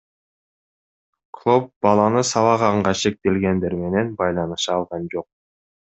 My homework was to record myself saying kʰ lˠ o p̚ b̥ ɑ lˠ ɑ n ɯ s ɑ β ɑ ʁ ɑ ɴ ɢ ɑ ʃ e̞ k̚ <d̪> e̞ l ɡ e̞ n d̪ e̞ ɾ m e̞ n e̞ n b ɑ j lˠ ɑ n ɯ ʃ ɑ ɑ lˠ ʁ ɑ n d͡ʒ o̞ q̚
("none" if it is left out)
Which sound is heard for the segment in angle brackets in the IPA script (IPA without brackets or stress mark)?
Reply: t̪